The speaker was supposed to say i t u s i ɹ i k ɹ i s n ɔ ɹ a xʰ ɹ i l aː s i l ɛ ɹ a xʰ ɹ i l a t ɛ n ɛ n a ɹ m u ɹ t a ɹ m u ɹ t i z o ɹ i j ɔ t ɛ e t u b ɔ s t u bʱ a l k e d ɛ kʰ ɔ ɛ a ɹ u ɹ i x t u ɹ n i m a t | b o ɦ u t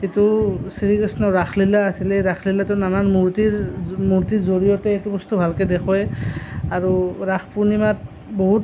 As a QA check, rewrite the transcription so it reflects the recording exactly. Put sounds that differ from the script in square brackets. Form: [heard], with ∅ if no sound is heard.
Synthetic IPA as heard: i t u s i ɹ i k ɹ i s n ɔ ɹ a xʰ [l] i l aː s i l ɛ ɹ a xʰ [l] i l a t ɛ n [a] n a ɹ m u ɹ t [i] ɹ m u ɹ t i z o ɹ i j ɔ t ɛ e t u b ɔ s t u bʱ a l k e d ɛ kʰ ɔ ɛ a ɹ u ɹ [a] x [p] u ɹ n i m a t | b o ɦ u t